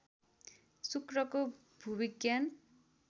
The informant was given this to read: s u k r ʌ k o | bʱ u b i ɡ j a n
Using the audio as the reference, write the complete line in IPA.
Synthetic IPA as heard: s u k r ʌ k o | bʱ u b i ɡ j a n